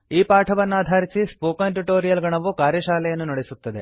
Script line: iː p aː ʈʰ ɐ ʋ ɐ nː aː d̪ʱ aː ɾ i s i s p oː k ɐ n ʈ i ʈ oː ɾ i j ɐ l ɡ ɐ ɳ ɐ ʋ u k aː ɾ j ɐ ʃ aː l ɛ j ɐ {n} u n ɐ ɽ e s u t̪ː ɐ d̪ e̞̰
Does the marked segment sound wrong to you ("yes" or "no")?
yes